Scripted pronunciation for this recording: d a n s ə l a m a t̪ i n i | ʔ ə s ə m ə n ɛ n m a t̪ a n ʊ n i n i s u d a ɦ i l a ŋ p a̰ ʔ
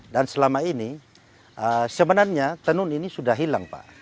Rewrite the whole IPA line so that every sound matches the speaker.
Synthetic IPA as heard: d a n s ə l a m a i n i | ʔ ə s ə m ə n a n ɲ a t̪ ə n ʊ n i n i s u d a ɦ i l a ŋ p a̰ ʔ